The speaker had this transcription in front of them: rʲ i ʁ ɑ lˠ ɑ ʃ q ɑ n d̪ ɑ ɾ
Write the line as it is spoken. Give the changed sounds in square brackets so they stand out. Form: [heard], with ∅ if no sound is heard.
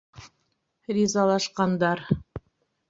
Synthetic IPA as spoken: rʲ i [z] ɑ lˠ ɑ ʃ q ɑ n d̪ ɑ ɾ